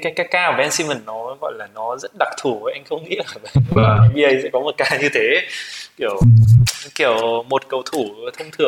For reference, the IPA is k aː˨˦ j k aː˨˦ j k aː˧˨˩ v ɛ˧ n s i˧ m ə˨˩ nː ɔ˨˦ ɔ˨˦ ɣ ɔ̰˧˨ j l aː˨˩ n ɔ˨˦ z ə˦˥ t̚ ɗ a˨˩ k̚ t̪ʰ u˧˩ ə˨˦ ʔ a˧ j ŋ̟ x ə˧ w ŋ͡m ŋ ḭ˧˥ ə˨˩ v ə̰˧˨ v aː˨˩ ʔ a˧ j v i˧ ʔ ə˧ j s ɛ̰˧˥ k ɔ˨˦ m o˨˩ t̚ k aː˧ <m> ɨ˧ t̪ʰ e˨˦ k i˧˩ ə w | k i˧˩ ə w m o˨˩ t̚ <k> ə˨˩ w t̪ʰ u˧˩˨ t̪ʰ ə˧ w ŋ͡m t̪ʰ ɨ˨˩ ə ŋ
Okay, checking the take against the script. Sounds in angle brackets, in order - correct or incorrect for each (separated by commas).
incorrect, correct